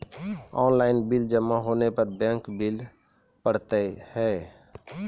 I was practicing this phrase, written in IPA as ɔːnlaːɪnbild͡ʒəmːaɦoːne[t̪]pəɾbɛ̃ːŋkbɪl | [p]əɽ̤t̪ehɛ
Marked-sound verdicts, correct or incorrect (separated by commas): incorrect, correct